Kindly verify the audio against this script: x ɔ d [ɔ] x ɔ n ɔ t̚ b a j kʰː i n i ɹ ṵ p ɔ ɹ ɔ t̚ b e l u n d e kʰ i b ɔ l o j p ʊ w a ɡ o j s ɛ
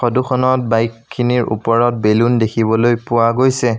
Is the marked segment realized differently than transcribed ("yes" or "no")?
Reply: yes